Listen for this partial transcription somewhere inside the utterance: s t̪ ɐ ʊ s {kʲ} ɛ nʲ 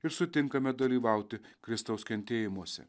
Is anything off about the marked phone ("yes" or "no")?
no